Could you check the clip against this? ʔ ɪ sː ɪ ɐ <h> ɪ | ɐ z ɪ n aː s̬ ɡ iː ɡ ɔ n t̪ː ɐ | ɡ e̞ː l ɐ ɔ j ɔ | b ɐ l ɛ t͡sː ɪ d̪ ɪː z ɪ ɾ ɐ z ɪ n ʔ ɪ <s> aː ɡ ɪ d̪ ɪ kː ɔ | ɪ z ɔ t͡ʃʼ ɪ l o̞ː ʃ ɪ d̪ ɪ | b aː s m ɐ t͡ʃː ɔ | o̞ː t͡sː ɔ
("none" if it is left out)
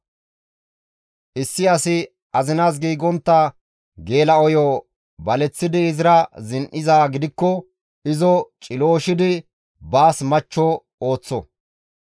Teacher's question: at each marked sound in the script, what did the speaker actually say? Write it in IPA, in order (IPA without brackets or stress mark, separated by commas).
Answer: s, z